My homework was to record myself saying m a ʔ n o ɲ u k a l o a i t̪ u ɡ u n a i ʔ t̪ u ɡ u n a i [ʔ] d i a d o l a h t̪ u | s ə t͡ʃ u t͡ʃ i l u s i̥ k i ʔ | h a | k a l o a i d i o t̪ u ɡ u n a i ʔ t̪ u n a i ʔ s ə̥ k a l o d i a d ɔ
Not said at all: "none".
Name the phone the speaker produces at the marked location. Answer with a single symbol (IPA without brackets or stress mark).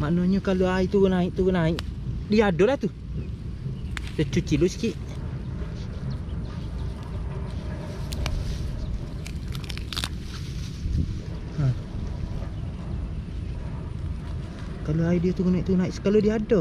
ʔ